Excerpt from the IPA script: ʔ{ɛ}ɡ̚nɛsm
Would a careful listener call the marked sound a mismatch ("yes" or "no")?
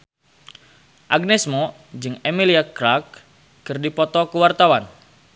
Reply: yes